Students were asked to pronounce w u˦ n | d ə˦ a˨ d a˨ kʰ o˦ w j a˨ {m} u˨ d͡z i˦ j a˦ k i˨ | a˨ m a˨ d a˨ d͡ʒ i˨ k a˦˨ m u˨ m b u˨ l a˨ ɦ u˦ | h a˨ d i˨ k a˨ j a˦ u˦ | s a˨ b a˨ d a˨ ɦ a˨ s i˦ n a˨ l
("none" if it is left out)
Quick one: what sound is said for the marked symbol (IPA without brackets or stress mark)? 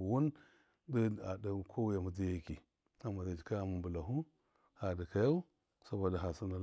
m